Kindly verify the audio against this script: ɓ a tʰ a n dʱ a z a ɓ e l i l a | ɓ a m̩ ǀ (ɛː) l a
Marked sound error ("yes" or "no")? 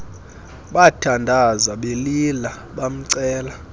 no